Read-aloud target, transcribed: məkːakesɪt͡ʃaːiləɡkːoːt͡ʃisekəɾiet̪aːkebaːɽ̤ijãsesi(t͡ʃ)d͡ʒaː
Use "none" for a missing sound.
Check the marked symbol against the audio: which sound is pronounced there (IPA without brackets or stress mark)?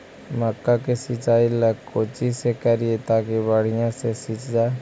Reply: t͡ʃ